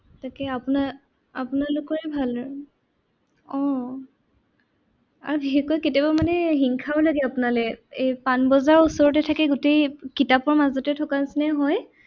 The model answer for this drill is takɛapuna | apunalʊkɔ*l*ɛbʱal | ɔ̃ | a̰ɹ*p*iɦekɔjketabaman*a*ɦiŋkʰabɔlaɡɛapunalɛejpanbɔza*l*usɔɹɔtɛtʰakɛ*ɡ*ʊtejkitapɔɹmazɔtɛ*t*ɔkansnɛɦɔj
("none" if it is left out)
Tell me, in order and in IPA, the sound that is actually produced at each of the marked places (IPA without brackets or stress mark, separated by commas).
ɹ, b, ɛ, ɹ, ɡ, tʰ